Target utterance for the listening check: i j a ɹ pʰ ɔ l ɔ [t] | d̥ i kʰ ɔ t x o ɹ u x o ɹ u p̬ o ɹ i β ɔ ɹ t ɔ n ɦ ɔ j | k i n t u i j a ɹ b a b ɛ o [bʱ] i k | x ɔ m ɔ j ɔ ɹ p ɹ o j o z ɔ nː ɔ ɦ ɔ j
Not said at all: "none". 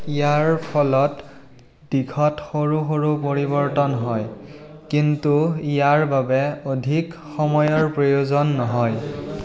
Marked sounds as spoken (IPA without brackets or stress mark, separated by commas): t, dʱ